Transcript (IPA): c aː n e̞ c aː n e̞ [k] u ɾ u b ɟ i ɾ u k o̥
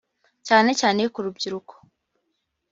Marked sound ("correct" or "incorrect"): correct